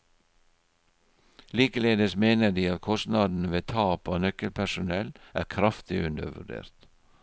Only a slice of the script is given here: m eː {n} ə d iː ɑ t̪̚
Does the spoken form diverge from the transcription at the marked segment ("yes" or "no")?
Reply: no